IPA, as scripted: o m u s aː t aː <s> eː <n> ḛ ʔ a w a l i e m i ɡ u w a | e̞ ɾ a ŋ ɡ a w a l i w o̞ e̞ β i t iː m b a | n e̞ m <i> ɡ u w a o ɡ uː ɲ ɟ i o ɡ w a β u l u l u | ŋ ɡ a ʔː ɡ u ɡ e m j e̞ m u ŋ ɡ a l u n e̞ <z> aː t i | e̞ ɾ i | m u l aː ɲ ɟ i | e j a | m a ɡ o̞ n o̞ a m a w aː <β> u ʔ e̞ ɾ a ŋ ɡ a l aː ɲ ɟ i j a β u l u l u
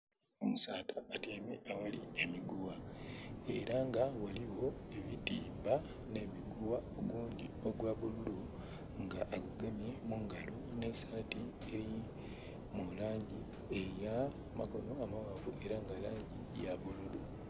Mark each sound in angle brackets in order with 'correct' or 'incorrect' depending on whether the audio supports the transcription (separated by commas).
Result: incorrect, incorrect, correct, incorrect, incorrect